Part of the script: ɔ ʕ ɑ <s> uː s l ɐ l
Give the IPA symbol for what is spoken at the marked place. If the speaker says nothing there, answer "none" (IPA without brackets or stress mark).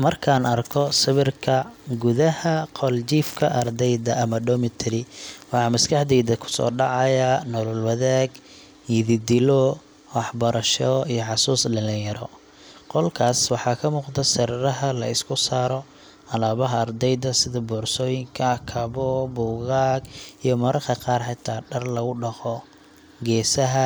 s